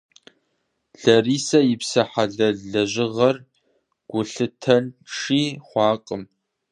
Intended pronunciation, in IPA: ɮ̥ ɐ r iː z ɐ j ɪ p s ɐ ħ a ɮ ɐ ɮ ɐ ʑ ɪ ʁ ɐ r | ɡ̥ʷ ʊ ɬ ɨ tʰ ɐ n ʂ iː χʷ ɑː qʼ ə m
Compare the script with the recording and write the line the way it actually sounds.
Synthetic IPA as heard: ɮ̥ ɐ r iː s ɐ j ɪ p s ɐ ħ a ɮ ɐ ɮ ɐ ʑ ɪ ʁ ɐ r | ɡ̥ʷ ʊ ɬ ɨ tʰ ɐ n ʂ iː χʷ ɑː qʼ ə m